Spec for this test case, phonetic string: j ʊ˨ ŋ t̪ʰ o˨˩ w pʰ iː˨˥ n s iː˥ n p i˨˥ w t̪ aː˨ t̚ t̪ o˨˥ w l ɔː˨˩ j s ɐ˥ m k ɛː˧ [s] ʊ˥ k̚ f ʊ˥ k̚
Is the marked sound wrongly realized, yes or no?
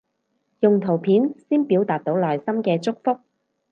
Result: yes